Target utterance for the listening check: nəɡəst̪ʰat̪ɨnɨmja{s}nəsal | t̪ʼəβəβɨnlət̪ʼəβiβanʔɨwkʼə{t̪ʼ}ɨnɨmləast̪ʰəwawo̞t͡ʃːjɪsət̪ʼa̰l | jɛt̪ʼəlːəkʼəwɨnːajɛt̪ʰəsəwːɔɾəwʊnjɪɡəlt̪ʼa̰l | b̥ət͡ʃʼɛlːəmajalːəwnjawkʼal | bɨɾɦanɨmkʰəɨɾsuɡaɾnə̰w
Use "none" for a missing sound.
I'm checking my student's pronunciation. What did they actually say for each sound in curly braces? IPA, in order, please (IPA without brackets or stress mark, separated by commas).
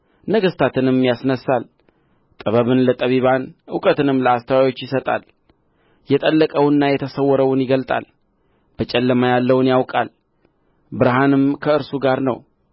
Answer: s, t̪